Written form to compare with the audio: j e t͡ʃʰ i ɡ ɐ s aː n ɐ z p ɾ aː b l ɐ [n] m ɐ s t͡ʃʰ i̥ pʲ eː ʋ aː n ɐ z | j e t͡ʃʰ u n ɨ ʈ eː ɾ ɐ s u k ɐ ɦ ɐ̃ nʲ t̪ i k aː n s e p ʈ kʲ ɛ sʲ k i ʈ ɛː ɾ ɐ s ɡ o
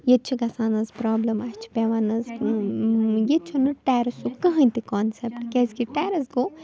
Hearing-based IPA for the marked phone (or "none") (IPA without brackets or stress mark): none